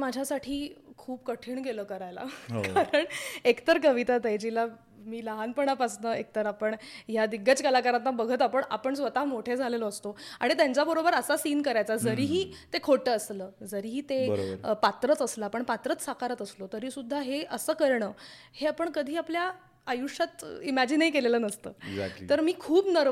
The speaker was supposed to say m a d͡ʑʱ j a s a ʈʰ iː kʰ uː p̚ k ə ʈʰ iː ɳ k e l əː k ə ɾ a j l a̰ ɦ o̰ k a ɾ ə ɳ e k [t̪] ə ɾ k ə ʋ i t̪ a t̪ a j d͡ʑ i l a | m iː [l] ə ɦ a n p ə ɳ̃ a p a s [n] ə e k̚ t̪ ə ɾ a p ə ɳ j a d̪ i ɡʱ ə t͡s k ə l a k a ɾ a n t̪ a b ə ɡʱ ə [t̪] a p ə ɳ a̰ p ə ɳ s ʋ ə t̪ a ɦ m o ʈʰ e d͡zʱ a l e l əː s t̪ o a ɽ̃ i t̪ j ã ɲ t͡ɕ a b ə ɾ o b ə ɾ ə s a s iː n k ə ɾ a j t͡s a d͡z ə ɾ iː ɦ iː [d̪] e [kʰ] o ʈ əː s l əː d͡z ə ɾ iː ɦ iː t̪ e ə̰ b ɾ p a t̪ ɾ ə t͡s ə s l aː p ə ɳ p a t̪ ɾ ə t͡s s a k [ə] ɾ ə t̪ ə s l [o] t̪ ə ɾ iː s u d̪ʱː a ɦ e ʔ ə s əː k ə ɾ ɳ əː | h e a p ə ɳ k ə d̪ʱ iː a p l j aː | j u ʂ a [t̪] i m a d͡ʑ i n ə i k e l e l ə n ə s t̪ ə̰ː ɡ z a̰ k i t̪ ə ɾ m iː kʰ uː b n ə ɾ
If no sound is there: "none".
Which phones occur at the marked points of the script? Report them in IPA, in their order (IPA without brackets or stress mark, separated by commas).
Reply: t̪, l, n, t̪, t̪, kʰ, a, o, t̪